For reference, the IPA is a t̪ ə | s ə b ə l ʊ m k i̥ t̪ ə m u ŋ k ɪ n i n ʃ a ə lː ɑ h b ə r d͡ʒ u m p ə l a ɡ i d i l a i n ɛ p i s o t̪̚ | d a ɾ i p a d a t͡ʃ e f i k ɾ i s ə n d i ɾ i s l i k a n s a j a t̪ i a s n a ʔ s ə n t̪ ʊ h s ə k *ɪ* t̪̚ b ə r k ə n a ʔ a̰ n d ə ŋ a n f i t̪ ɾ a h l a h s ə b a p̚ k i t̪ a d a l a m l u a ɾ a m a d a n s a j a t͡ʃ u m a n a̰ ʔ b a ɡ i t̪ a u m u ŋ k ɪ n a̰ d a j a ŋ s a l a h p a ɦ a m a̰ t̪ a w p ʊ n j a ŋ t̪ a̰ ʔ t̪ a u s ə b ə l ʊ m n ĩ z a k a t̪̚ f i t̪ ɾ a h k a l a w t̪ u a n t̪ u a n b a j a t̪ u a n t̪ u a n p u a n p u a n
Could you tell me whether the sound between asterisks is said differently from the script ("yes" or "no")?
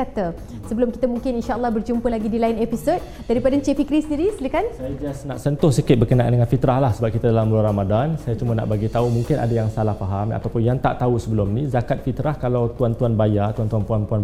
no